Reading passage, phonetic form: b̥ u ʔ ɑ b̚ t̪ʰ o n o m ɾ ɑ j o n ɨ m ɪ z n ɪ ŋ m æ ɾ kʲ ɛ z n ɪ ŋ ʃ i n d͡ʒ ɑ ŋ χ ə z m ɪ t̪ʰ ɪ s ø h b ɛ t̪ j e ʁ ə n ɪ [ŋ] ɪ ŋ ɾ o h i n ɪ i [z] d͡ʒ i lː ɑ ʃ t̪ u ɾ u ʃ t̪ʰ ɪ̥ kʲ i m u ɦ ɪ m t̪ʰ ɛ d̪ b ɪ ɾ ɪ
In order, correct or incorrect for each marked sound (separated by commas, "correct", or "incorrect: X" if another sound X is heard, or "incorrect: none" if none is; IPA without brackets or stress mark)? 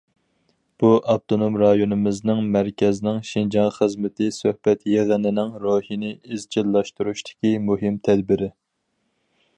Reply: incorrect: n, correct